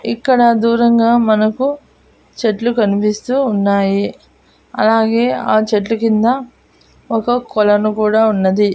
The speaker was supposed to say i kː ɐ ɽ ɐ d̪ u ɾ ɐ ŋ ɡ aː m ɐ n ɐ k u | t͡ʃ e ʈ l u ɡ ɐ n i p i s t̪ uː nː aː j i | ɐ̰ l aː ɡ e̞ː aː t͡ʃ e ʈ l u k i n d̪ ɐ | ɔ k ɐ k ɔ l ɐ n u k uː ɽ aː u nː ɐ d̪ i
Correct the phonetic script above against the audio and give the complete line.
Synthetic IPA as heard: i kː ɐ ɽ ɐ d̪ uː ɾ ɐ ŋ ɡ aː m ɐ n ɐ k u | t͡ʃ e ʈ l u k ɐ n i p i s t̪ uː nː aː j i | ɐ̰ l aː ɡ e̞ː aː t͡ʃ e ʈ l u k i n d̪ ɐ | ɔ k ɐ k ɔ l ɐ n u k uː ɽ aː u nː ɐ d̪ i